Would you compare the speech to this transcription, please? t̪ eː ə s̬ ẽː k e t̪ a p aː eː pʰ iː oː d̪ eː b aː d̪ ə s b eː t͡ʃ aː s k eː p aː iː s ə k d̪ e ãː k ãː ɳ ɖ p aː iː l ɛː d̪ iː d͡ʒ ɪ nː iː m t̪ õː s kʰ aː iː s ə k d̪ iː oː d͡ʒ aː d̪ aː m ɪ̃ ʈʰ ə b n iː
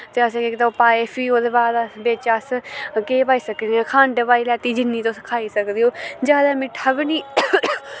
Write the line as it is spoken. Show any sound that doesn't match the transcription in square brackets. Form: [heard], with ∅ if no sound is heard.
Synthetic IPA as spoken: t̪ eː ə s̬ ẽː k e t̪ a p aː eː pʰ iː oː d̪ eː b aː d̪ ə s b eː t͡ʃ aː s k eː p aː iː s ə k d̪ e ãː [kʰ] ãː ɳ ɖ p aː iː l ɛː [t̪] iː d͡ʒ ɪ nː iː [∅] t̪ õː s kʰ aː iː s ə k d̪ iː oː d͡ʒ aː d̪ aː m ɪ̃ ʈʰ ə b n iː